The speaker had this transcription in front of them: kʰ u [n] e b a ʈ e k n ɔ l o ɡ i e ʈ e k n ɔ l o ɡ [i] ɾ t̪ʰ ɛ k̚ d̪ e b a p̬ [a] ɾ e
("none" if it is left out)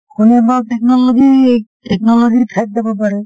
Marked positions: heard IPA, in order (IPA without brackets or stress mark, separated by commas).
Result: n, i, a